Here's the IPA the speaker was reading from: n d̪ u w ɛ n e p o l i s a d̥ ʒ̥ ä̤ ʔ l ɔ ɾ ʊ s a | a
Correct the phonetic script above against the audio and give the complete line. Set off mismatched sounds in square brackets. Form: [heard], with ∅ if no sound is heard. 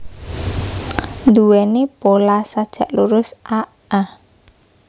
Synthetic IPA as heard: n d̪ u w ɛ n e p o l [a] s a d̥ ʒ̥ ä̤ ʔ l [u] ɾ ʊ s a | a